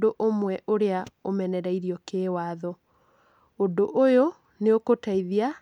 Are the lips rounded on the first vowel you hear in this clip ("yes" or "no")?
yes